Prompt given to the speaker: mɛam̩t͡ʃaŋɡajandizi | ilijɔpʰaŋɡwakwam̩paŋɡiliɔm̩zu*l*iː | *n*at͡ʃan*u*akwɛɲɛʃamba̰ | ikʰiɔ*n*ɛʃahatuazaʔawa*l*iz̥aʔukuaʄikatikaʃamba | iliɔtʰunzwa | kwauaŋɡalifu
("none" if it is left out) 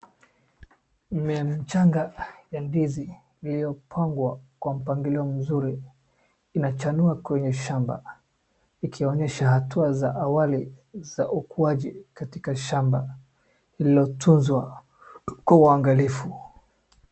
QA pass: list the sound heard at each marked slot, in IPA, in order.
ɾ, n, u, ɲ, l

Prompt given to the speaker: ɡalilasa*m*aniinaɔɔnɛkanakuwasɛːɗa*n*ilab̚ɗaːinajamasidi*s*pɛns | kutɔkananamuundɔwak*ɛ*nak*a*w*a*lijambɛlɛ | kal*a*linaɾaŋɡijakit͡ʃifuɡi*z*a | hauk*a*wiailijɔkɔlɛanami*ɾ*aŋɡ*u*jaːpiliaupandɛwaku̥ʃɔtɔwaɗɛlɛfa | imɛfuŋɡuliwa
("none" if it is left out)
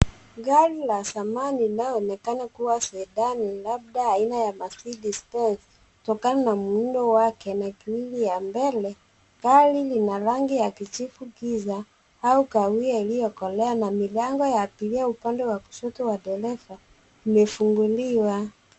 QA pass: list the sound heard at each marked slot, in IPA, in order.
m, n, s, ɛ, i, i, i, z, a, l, ɔ

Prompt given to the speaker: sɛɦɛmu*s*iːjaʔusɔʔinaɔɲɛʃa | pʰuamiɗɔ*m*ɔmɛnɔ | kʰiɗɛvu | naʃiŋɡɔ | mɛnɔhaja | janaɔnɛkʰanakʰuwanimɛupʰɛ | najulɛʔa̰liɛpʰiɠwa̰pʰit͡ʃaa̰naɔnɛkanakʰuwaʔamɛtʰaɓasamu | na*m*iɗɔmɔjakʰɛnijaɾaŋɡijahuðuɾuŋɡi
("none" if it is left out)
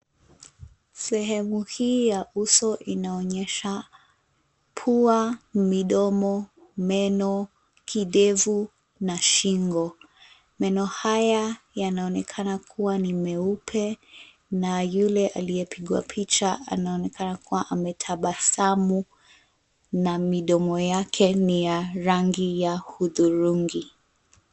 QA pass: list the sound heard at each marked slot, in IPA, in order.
h, m, m

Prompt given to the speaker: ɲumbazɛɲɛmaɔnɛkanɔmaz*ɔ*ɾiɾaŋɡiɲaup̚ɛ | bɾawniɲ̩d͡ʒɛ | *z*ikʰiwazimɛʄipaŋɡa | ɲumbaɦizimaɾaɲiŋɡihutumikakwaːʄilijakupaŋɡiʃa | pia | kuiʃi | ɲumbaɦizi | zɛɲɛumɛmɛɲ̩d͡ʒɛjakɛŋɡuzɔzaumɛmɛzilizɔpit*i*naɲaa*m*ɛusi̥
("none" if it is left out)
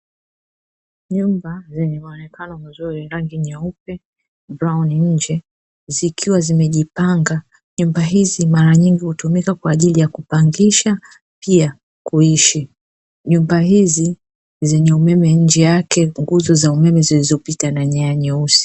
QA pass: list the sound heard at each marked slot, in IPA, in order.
u, z, a, ɲ

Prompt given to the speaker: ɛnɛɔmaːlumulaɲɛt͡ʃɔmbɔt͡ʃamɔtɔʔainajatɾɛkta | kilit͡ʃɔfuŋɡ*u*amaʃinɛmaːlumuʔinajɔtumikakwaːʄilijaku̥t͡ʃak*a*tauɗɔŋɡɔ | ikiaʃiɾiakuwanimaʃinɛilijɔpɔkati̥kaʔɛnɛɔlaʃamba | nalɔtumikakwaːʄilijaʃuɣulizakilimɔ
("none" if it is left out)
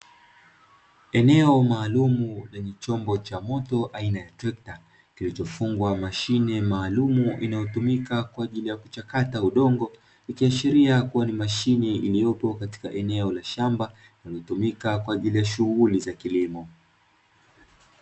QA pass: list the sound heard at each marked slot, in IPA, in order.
w, a

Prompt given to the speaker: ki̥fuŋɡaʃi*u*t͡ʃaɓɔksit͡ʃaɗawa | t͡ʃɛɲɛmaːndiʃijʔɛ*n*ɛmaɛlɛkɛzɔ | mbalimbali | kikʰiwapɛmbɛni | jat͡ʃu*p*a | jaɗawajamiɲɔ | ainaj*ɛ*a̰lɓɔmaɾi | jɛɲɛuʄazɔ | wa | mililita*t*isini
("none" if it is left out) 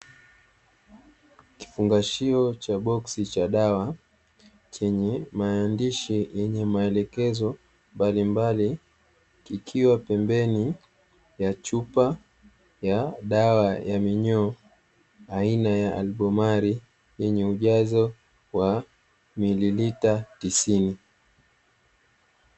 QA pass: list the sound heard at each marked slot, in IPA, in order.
ɔ, ɲ, p, a, t

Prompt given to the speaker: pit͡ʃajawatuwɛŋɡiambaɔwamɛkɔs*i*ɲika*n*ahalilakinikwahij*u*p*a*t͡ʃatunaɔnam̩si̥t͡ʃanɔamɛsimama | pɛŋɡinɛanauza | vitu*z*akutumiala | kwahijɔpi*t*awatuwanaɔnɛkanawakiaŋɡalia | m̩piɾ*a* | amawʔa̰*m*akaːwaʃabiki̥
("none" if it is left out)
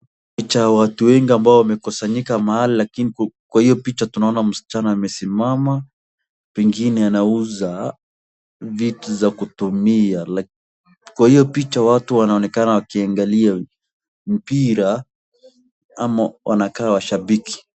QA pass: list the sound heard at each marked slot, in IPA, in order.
a, m, ɔ, i, z, t͡ʃ, a, n

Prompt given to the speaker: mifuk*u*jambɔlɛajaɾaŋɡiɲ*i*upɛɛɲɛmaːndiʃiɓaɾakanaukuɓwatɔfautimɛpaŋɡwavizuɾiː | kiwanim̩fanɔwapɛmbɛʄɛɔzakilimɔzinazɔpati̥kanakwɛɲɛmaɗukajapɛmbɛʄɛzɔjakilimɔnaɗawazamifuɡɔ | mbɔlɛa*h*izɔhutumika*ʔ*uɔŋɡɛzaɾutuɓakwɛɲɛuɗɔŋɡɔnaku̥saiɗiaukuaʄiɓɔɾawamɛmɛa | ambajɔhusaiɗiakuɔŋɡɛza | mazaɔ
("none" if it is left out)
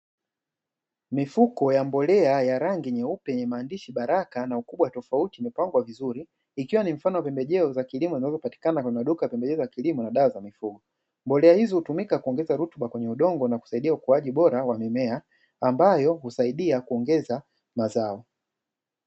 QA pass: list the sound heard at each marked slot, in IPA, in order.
ɔ, ɛ, h, k

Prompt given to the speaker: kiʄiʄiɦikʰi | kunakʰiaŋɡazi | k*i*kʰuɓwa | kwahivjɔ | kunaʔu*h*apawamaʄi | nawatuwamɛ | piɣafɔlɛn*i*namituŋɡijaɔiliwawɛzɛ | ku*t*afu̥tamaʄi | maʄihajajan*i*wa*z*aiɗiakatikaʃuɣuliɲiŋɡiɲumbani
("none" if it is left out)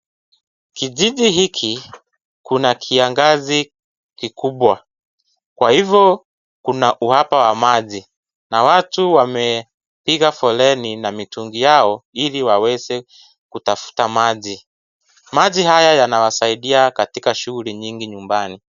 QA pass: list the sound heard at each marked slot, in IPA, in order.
i, h, i, t, a, s

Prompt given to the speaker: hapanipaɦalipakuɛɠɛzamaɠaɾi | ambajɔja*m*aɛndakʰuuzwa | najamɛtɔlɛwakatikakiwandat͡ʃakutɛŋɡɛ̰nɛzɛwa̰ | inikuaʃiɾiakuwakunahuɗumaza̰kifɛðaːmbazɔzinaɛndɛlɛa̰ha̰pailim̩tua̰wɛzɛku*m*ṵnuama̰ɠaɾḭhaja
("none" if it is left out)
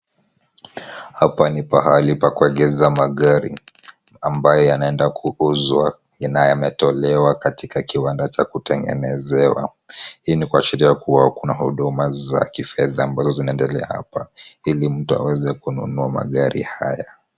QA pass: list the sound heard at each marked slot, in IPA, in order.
n, n

